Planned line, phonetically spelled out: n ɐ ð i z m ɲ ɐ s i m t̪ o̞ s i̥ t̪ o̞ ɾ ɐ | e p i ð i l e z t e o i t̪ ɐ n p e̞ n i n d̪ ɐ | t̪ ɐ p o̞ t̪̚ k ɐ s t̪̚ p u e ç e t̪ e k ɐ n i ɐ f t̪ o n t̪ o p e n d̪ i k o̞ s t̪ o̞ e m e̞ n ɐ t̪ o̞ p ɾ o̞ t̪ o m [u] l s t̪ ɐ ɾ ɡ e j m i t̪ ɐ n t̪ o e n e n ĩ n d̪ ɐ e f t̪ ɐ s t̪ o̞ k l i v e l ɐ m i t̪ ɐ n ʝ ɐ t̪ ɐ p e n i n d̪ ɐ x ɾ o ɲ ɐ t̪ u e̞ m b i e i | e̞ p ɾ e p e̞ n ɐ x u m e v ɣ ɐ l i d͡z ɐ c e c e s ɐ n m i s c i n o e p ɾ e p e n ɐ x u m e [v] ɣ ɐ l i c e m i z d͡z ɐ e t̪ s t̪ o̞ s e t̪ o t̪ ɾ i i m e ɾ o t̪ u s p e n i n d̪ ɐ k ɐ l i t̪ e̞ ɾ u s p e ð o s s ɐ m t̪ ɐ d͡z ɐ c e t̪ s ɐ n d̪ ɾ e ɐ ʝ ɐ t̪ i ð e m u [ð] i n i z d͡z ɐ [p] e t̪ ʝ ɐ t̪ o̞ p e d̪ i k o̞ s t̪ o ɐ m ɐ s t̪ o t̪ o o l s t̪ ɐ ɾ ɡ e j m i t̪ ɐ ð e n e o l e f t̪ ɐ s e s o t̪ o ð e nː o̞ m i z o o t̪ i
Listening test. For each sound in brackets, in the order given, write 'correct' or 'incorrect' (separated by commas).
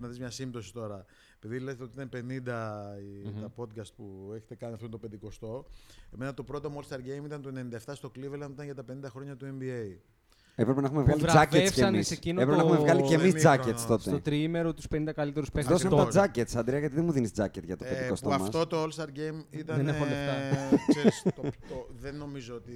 incorrect, correct, correct, incorrect